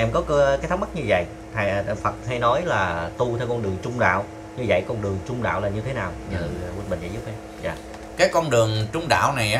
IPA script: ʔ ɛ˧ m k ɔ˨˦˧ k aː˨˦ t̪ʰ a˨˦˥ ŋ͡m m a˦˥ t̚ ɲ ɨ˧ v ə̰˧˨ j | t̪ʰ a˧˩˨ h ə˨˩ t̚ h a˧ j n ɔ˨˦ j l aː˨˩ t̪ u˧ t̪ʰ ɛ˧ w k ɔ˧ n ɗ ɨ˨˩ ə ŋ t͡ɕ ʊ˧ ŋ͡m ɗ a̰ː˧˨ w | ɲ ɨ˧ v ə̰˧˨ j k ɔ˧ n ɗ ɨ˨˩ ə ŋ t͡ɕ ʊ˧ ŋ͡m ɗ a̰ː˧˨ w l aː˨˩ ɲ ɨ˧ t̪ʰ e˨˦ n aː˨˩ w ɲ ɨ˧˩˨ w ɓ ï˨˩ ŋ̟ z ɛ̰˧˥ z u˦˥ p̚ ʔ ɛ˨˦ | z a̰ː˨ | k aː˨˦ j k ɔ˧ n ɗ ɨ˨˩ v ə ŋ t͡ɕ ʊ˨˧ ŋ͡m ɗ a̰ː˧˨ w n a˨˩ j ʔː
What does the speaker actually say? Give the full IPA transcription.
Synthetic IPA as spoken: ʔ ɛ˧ m k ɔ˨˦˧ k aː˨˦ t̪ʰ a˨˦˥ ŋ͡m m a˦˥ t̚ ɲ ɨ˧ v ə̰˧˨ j | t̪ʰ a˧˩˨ f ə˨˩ t̚ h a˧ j n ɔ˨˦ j l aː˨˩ t̪ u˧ t̪ʰ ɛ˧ w k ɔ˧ n ɗ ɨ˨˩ ə ŋ t͡ɕ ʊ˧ ŋ͡m ɗ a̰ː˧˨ w | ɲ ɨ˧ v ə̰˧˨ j k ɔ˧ n ɗ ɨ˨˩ ə ŋ t͡ɕ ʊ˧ ŋ͡m ɗ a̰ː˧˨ w l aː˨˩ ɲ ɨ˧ t̪ʰ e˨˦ n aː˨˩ w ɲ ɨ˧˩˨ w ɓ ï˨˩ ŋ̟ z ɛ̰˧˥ z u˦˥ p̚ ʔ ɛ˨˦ | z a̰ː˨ | k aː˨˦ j k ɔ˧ n ɗ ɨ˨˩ ə ŋ t͡ɕ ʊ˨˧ ŋ͡m ɗ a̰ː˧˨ w n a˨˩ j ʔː